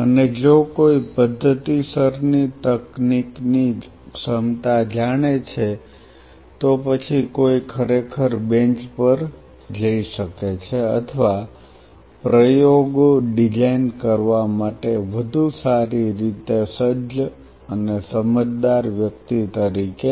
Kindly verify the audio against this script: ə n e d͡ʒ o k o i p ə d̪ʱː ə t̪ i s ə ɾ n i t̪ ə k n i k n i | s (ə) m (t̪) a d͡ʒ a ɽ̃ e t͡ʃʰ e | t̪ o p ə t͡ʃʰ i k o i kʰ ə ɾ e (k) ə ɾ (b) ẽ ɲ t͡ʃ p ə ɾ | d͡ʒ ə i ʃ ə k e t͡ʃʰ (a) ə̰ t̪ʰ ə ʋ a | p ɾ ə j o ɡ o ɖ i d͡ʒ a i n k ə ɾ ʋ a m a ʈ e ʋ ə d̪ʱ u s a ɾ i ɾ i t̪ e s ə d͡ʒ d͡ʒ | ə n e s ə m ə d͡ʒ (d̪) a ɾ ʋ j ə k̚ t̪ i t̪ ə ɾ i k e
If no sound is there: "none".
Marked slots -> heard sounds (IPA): ə, t̪, kʰ, b, e, d̪

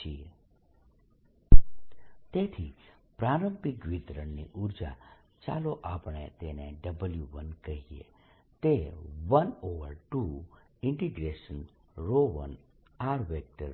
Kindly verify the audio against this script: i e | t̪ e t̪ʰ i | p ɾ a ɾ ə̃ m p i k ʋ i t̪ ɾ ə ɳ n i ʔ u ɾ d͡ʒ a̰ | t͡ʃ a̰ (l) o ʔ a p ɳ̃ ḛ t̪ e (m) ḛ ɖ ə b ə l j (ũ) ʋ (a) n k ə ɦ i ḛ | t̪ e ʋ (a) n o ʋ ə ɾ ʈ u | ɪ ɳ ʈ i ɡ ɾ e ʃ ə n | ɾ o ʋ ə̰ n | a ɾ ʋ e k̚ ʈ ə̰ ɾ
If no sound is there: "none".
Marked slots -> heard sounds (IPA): l, n, u, ə, ə

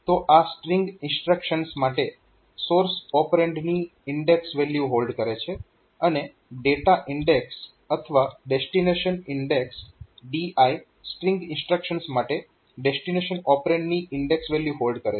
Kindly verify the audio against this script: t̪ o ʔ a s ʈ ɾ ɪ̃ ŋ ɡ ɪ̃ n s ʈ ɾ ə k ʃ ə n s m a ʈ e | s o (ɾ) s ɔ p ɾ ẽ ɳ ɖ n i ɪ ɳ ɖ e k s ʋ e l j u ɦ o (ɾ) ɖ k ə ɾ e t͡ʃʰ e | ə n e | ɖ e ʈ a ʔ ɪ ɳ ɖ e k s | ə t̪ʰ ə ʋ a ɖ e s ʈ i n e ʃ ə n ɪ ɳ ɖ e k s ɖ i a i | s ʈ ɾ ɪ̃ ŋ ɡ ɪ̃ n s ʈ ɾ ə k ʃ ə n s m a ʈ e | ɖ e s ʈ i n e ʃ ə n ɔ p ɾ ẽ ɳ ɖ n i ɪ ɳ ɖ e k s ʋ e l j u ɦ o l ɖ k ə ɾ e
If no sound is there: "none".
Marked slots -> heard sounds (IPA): ɾ, l

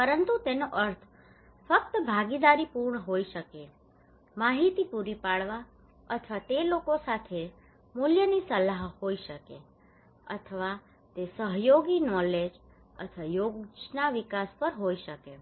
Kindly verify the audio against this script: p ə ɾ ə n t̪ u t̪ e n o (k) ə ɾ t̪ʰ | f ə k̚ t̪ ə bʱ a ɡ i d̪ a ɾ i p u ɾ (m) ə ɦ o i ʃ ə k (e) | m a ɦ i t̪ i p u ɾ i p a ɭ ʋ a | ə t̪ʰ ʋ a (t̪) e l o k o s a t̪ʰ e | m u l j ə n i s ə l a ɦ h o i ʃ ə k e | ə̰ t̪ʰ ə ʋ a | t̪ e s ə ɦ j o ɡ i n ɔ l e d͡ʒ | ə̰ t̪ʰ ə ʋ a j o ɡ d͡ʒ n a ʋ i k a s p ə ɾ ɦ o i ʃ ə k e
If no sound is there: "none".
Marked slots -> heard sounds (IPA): ʔ, ɳ, e, t̪

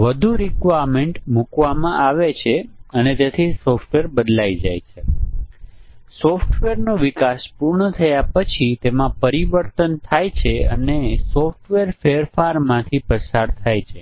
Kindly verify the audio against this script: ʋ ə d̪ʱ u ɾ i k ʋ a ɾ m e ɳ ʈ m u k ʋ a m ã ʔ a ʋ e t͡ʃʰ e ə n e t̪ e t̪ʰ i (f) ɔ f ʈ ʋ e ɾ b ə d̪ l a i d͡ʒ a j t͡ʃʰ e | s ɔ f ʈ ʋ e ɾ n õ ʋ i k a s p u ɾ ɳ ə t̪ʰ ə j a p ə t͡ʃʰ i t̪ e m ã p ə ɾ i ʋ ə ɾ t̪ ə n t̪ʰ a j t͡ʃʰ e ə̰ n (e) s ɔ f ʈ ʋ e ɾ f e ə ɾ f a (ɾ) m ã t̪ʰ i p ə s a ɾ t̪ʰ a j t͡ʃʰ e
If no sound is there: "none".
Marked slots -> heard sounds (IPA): s, e, ɾ

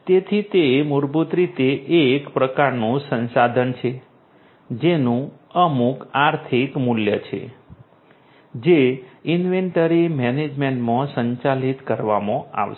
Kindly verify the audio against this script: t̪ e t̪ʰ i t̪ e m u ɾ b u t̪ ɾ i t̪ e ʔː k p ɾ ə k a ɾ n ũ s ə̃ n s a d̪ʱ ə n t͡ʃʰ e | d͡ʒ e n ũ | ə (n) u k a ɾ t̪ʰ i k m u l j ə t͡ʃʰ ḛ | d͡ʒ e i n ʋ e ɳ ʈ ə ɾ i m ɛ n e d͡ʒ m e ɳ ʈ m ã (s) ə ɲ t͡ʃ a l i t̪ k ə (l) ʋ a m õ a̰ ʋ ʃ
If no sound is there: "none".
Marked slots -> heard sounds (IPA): m, s, ɾ

